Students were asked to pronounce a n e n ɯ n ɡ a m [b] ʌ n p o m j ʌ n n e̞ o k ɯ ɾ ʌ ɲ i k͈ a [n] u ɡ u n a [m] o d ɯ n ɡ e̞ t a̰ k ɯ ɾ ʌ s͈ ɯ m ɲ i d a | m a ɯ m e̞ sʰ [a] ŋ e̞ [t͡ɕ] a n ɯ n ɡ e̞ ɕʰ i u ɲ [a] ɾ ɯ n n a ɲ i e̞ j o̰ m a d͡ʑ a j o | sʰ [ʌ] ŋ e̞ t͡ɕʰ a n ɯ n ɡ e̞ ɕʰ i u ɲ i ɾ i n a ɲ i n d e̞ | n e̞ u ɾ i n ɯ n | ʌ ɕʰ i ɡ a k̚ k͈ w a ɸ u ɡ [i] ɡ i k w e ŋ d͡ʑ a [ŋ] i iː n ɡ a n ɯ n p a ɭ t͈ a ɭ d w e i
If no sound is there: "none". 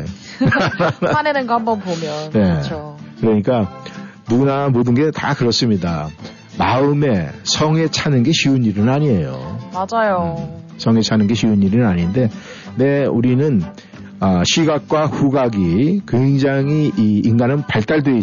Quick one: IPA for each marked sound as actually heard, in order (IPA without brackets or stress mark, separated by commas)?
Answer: b, n, m, ʌ, t͡ɕʰ, i, ʌ, a, ŋ